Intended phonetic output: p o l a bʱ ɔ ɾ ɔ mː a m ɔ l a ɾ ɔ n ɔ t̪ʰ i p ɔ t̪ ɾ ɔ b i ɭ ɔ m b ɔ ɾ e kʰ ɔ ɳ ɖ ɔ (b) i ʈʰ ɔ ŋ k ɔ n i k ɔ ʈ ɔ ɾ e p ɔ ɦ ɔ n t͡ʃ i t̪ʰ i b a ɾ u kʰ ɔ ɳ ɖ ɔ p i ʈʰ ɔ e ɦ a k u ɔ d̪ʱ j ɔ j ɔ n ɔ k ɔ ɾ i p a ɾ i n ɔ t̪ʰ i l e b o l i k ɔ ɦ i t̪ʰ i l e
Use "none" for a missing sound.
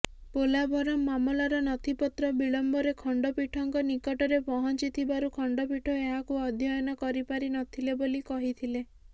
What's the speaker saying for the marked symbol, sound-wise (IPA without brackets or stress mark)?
p